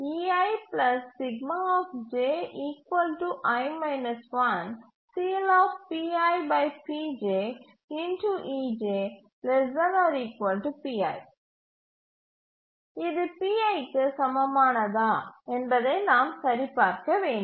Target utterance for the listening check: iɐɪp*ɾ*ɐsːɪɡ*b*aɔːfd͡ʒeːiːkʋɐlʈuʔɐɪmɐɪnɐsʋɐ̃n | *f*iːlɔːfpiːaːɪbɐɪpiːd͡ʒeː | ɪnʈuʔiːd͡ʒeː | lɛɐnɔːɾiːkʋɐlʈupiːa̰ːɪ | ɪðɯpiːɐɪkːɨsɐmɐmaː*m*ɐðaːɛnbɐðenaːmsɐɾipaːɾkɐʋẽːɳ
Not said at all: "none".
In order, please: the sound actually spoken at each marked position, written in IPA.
l, m, s, n

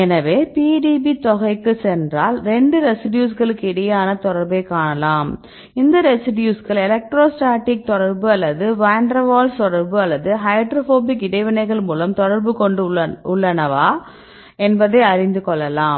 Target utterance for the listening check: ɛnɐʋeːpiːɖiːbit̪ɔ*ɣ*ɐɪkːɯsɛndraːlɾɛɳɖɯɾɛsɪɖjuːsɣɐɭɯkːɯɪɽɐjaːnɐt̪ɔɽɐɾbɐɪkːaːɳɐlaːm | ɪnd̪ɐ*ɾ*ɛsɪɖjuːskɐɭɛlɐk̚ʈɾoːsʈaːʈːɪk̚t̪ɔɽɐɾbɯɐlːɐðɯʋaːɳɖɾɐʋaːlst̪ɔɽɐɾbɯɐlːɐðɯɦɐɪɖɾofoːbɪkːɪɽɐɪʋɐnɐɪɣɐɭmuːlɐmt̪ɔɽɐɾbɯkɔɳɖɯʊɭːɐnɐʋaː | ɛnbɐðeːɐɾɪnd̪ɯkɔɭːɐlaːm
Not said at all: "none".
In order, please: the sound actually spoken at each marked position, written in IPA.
ɣ, ɾ

